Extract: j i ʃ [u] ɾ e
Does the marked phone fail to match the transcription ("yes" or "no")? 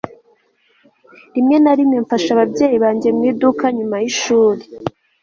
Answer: yes